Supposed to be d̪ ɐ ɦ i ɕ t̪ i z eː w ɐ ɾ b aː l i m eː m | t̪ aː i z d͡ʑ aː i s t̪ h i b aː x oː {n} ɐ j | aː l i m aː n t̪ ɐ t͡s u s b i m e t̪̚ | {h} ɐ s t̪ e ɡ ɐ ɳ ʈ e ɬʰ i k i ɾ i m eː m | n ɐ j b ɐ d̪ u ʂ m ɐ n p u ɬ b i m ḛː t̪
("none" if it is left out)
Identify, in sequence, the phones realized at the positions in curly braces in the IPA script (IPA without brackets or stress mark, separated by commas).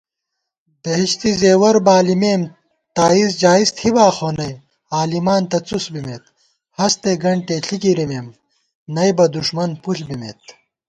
n, h